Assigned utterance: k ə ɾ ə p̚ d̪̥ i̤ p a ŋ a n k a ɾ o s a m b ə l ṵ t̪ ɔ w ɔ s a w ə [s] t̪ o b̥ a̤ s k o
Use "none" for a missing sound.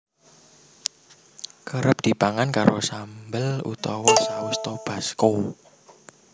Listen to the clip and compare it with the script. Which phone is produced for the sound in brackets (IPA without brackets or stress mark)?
s